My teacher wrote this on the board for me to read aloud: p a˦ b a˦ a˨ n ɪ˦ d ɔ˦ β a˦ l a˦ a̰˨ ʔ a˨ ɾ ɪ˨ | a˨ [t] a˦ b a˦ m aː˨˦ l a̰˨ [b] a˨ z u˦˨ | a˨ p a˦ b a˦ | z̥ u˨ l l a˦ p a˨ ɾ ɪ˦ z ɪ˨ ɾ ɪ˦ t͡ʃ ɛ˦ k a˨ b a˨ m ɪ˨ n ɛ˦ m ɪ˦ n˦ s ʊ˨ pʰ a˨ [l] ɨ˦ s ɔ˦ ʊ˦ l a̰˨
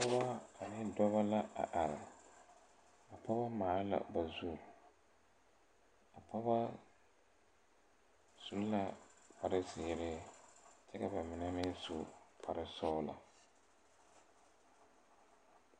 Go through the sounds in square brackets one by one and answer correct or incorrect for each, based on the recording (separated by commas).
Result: incorrect, correct, incorrect